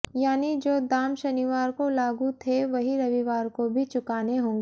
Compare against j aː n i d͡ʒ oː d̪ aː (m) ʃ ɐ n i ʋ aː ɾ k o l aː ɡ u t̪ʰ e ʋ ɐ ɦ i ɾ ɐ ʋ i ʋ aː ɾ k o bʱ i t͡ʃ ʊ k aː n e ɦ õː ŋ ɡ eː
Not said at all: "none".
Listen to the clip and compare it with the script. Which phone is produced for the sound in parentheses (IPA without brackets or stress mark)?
m